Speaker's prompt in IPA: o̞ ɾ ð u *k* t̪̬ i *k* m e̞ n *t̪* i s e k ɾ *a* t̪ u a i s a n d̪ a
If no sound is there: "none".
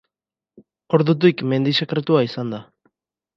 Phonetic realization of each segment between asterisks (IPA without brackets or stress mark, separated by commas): none, k, d̪, e